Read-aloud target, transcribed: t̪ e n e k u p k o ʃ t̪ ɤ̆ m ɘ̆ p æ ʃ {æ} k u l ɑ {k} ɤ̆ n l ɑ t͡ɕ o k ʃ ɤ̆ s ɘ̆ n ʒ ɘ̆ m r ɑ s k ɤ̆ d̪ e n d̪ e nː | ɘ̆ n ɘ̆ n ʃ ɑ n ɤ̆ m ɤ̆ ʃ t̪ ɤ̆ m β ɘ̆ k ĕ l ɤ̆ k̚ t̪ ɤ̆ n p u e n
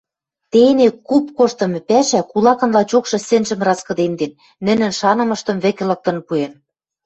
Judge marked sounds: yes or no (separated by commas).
yes, yes